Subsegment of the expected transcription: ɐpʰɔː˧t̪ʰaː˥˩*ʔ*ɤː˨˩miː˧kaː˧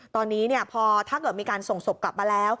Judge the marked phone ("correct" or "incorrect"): incorrect